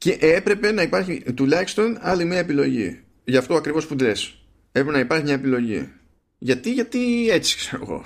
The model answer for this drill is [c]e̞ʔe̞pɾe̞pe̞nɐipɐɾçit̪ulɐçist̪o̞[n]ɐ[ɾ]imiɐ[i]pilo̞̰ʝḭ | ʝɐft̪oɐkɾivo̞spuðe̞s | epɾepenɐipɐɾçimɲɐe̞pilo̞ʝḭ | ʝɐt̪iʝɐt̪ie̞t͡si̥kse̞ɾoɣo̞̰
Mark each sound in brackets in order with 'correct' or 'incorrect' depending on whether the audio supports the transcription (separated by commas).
correct, correct, incorrect, incorrect